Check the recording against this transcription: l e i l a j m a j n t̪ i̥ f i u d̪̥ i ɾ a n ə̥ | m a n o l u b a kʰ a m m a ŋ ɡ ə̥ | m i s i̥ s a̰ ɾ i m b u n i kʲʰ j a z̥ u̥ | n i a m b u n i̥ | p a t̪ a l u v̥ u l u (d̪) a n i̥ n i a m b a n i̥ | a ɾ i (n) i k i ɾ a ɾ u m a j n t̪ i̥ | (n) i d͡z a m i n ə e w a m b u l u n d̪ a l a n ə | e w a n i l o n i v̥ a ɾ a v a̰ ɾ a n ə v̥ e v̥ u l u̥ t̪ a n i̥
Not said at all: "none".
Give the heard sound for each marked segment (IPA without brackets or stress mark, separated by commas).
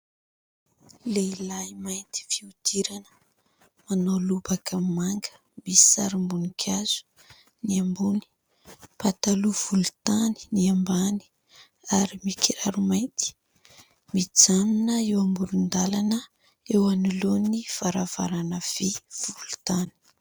t̪, m, m